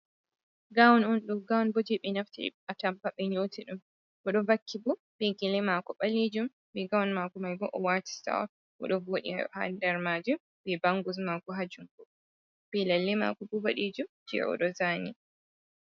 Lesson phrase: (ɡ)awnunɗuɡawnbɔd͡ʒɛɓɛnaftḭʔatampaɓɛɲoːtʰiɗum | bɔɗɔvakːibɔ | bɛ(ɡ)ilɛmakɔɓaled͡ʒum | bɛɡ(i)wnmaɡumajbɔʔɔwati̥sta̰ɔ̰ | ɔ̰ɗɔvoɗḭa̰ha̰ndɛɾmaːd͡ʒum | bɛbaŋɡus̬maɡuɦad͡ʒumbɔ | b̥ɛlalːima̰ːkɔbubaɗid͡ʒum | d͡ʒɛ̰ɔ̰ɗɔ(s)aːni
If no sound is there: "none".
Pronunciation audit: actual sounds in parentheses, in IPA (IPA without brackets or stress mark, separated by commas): ɡ, ɡ, a, z